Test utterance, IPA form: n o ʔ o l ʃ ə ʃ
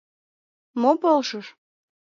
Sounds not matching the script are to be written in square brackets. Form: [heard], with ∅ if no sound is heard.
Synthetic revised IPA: [m] o [p] o l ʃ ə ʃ

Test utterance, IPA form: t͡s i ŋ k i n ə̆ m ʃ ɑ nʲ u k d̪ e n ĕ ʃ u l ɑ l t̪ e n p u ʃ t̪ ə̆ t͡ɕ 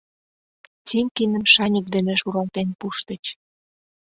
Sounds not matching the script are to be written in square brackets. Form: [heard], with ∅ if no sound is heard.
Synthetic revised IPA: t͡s i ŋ k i n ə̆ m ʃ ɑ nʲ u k d̪ e n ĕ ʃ u [ɾ] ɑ l t̪ e n p u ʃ t̪ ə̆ t͡ɕ

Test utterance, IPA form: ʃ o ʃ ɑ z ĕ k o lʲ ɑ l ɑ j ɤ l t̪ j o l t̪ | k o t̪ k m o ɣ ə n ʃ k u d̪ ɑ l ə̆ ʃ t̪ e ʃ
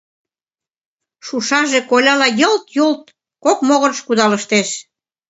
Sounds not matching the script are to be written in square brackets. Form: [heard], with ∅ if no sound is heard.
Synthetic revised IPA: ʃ [u] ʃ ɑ [ʒ] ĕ k o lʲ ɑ l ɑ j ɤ l t̪ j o l t̪ | k o [∅] k m o ɣ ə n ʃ k u d̪ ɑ l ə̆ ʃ t̪ e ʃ

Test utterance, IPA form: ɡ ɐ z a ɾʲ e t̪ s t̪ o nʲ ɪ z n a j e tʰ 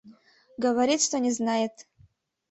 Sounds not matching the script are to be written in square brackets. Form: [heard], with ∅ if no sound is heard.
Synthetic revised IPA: ɡ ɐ [v] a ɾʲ [i] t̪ [ʂ] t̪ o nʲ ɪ z n a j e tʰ

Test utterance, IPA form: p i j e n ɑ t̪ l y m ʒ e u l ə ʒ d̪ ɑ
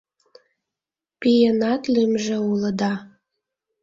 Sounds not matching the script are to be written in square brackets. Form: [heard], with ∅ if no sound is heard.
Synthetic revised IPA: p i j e n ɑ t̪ l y m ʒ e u l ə [∅] d̪ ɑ

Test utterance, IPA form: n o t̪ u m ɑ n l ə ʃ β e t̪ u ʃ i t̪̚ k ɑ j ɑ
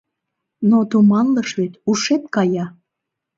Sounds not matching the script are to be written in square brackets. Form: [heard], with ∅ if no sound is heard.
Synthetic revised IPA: n o t̪ u m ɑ n l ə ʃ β e t̪ u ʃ [e] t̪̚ k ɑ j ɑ

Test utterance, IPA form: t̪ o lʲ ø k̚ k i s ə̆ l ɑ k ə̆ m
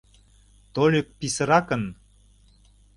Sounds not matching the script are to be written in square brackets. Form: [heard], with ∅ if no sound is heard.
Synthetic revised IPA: t̪ o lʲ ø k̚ [p] i s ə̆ [ɾ] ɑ k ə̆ [n]

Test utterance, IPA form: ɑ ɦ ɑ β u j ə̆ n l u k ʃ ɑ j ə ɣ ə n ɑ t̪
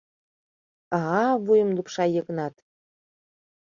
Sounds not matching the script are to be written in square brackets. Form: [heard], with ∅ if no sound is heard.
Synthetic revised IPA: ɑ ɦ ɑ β u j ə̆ [m] l u [p] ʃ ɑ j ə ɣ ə n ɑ t̪

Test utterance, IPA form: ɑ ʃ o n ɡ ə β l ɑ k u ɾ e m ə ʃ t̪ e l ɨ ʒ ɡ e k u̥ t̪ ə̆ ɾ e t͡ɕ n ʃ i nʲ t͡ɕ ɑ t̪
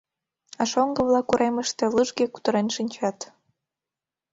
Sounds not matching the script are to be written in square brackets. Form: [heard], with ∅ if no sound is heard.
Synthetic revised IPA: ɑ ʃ o [ŋ] ɡ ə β l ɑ k u ɾ e m ə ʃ t̪ e l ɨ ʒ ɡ e k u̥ t̪ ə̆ ɾ e [∅] n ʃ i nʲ t͡ɕ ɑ t̪

